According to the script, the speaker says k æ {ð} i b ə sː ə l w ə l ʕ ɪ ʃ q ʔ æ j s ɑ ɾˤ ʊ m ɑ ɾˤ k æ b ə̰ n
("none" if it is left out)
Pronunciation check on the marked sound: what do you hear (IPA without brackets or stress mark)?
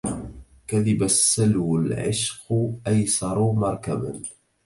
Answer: ð